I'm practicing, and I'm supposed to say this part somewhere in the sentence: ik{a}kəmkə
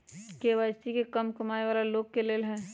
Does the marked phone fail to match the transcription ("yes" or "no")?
yes